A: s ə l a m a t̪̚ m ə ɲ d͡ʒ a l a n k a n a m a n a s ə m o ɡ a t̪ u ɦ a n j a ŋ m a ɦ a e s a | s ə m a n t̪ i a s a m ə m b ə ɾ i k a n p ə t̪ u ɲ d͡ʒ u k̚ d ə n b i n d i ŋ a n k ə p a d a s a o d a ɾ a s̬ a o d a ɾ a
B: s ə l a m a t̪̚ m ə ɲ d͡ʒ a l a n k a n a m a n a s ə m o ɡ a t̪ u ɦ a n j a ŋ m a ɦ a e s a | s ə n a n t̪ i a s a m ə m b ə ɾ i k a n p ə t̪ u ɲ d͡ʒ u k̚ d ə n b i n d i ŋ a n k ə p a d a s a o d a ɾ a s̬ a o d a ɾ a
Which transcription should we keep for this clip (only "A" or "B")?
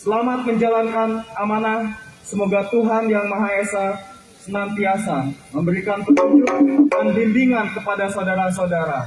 B